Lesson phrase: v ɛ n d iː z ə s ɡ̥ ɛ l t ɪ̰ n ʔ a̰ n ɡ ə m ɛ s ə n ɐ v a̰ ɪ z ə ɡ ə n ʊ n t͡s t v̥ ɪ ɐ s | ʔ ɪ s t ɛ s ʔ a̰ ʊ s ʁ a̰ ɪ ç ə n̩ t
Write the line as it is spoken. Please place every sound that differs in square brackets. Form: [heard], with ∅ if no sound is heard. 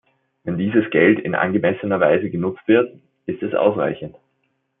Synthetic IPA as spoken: v ɛ n d iː z ə s ɡ̥ ɛ l t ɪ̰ n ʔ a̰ n ɡ ə m ɛ s ə n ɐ v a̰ ɪ z ə ɡ ə n ʊ [∅] t͡s t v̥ ɪ ɐ [t] | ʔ ɪ s t ɛ s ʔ a̰ ʊ s ʁ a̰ ɪ ç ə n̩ t